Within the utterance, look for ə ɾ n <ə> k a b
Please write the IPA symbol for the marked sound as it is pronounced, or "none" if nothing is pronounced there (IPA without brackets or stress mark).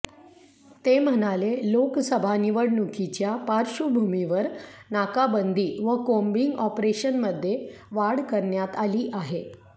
a